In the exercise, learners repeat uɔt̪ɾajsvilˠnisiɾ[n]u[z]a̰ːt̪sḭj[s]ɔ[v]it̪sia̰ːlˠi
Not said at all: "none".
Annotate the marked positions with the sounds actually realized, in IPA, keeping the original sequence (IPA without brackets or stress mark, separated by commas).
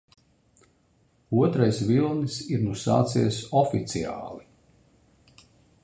n, s, s, f